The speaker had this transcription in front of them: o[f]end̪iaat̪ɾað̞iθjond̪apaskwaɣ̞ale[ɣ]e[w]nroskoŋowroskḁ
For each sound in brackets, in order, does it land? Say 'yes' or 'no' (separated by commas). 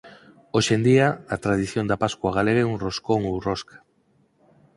no, yes, no